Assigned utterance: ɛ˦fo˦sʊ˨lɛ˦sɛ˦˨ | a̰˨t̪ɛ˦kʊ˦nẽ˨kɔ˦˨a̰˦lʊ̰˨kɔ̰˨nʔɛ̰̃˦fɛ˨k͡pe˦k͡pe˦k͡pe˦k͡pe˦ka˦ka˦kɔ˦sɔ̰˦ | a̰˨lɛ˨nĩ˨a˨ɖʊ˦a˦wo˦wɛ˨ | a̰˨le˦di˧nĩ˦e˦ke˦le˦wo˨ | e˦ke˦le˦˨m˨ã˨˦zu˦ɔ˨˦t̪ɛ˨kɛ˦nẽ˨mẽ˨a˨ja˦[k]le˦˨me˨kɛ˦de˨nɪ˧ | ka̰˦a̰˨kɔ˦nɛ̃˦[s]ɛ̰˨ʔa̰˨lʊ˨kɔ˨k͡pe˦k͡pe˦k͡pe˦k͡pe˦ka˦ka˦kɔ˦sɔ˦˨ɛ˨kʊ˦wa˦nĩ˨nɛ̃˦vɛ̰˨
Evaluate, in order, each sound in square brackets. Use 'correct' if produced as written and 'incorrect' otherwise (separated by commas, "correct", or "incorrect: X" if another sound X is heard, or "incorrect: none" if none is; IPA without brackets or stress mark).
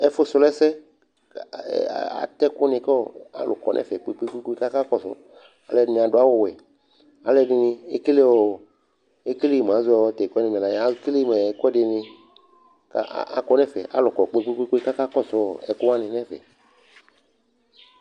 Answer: correct, incorrect: f